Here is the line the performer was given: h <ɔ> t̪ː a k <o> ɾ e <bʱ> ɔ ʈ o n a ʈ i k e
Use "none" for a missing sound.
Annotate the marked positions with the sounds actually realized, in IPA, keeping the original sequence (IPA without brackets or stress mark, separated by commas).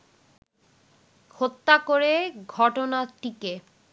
o, o, ɡʱ